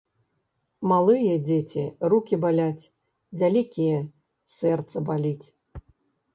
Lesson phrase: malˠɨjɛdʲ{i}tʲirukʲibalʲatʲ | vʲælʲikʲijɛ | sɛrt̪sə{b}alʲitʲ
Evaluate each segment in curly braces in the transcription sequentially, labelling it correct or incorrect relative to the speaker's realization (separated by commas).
incorrect, correct